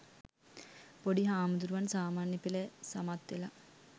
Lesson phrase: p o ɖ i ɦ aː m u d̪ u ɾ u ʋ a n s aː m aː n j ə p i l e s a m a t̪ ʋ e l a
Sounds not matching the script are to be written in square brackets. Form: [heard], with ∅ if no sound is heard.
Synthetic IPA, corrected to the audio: p o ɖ i ɦ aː m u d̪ u ɾ u ʋ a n s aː m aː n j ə p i l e s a m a t̪ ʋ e l a